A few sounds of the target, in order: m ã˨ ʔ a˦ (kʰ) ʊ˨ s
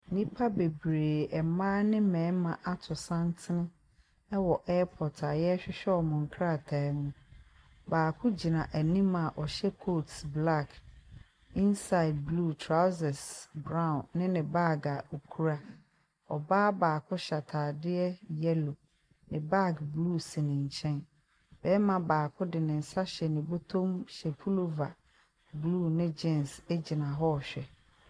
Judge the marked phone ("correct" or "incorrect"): incorrect